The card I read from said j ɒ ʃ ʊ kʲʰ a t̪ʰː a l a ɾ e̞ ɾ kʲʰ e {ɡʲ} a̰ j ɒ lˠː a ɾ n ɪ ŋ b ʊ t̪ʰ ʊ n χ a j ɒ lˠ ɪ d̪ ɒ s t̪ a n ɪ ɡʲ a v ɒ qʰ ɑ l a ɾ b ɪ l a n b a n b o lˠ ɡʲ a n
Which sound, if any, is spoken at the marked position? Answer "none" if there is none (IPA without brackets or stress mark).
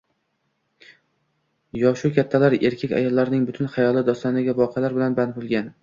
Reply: kʲ